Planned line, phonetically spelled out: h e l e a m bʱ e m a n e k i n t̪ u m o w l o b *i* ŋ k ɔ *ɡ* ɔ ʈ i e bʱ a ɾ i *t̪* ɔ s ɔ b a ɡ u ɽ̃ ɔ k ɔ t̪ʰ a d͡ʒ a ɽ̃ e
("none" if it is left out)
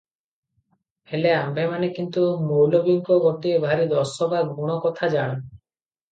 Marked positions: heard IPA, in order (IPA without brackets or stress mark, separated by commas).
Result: i, ɡ, d̪